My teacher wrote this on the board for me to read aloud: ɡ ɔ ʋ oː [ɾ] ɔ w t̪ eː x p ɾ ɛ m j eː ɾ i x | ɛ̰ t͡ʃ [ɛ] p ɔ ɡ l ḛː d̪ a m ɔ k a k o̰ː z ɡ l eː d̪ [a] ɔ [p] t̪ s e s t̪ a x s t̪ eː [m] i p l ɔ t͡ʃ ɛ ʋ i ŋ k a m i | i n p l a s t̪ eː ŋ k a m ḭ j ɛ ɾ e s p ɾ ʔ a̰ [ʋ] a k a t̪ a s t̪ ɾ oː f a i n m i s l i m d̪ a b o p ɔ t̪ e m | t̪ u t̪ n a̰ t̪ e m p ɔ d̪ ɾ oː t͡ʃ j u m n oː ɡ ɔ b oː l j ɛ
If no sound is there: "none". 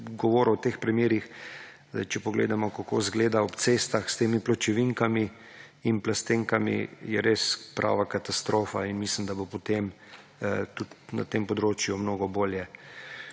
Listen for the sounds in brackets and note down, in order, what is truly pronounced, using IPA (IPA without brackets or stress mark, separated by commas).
ɾ, ɛ, a, p, m, ʋ